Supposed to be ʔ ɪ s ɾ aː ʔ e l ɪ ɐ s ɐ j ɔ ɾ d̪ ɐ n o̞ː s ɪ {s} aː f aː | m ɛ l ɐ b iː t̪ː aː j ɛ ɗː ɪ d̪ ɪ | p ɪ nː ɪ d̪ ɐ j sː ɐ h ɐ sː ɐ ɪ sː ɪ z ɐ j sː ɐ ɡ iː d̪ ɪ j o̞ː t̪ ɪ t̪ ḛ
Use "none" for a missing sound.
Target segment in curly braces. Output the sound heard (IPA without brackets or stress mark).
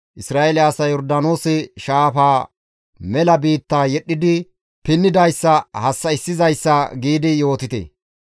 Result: ʃ